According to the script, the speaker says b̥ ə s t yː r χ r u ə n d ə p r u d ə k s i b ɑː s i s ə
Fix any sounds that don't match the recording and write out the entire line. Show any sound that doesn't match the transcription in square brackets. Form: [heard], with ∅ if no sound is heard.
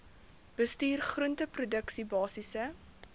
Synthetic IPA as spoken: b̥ ə s t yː r χ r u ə n [t] ə p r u d ə k s i b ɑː s i s ə

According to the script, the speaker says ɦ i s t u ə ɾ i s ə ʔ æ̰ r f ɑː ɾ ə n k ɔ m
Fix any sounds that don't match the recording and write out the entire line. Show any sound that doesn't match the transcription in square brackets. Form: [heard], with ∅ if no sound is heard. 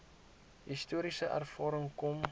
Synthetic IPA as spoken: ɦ i s t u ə ɾ i s ə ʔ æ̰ r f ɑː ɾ ə [ŋ] k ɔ m

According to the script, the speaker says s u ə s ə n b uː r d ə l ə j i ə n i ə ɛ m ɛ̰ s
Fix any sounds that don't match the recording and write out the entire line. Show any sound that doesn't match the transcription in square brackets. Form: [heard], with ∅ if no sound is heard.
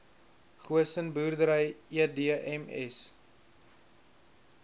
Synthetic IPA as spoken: [χ] u ə s ə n b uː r d ə [ɾ] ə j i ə [d] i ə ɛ m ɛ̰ s

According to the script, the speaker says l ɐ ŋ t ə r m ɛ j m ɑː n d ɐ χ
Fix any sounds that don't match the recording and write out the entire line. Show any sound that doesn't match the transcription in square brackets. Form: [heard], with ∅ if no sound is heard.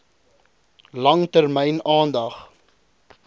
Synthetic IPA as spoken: l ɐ ŋ t ə r m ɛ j [n] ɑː n d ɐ χ

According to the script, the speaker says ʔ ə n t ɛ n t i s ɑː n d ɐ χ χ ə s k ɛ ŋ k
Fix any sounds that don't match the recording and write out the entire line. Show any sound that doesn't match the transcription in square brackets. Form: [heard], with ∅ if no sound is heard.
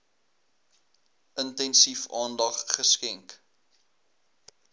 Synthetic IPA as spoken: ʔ ə n t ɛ n [s] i [f] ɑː n d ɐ χ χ ə s k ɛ ŋ k

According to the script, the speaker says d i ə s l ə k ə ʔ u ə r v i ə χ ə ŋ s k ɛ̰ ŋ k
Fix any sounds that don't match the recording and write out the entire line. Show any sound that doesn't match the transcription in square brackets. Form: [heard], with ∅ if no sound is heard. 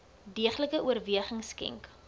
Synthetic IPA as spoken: d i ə [χ] l ə k ə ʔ u ə r v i ə χ ə ŋ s k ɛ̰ ŋ k

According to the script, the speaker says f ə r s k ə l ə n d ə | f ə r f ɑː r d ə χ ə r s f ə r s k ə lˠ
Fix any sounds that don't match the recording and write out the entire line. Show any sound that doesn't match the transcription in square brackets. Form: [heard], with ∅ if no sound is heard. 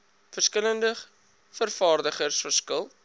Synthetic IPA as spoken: f ə r s k ə l ə n d ə | f ə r f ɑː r d ə χ ə r s f ə r s k ə lˠ

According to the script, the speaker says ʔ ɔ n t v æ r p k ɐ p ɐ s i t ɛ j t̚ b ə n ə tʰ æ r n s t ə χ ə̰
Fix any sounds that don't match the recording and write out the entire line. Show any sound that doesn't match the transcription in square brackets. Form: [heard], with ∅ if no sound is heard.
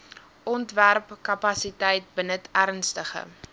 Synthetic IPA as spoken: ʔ ɔ n t v æ r p k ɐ p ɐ s i t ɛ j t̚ b ə n ə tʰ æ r n s t ə χ ə̰

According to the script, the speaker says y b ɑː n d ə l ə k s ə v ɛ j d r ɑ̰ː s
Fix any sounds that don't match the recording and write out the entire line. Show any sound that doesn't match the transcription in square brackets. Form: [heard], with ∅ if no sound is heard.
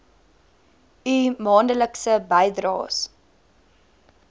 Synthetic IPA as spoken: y [m] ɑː n d ə l ə k s ə [b] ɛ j d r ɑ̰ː s

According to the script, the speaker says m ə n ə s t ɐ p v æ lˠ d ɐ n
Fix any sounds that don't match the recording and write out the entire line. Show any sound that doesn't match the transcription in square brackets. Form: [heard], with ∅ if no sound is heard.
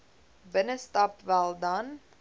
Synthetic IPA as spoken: [b] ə n ə s t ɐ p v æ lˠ d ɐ n

